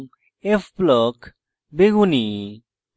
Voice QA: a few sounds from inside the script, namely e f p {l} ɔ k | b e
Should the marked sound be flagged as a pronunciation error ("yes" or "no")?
no